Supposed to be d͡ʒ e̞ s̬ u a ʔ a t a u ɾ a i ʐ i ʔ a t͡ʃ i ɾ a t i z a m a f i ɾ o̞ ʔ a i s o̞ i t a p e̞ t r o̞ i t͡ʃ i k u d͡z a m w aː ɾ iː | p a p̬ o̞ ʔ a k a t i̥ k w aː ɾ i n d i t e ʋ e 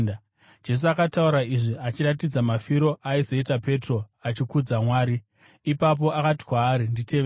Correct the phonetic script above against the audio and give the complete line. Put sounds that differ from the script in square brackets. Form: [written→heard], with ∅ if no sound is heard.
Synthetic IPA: d͡ʒ e̞ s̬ u a [ʔ→k] a t a u ɾ a i ʐ i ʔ a t͡ʃ i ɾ a t i [z→d͡z] a m a f i ɾ o̞ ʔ a i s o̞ i t a p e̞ t r o̞ [i→a] t͡ʃ i k u d͡z a m w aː ɾ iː | p a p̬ o̞ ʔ a k a t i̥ k w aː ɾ i n d i t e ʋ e